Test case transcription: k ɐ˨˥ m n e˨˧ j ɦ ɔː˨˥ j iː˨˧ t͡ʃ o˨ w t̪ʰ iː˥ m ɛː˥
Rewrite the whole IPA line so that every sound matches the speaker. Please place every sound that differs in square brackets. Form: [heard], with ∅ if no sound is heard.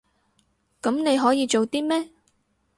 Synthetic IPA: k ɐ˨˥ m n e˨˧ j ɦ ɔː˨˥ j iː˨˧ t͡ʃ o˨ w [t̪] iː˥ m ɛː˥